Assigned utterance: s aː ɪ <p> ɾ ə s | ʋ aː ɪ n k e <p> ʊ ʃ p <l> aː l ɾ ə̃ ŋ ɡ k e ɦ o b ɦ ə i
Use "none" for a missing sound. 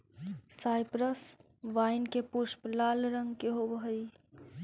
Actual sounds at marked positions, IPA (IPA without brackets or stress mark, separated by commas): p, p, l